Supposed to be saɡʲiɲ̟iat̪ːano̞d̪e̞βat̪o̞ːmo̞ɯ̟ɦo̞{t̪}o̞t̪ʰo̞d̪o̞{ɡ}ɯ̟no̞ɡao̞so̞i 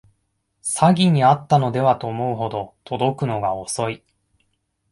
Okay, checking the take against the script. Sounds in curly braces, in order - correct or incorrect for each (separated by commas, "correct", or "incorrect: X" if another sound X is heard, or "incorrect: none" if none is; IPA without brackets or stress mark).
incorrect: d̪, incorrect: k